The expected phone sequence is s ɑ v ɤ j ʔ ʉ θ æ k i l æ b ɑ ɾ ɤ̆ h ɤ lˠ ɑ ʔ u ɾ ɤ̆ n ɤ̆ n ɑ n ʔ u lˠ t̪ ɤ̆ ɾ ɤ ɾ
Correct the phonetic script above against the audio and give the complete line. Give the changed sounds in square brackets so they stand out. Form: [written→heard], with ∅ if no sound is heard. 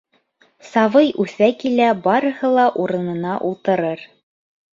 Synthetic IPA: s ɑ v ɤ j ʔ ʉ θ æ k i l æ b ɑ ɾ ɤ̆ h ɤ lˠ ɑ ʔ u ɾ ɤ̆ n ɤ̆ n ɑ [n→∅] ʔ u lˠ t̪ ɤ̆ ɾ ɤ ɾ